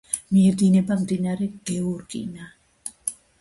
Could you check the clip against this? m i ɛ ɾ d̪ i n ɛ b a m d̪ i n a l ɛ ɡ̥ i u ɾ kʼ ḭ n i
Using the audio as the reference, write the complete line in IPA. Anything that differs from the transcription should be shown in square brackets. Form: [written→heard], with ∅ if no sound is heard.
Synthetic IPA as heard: m i ɛ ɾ d̪ i n ɛ b a m d̪ i n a [l→ɾ] ɛ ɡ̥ [i→ɛ] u ɾ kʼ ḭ n [i→a]